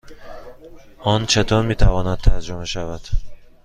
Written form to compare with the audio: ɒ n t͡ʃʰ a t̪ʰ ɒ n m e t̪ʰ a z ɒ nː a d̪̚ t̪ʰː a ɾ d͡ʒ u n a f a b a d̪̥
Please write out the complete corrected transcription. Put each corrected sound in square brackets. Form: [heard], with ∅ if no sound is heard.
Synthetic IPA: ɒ n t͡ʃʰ a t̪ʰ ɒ n m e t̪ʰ a [v] ɒ [n] a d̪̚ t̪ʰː a ɾ d͡ʒ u [m] a [ʃ] a [v] a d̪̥